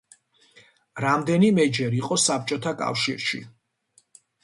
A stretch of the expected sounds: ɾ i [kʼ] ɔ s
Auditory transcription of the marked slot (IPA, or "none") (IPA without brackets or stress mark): qʼ